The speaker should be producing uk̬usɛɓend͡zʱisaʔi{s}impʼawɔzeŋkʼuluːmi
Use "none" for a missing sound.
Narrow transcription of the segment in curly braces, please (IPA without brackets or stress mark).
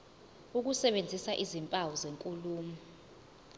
z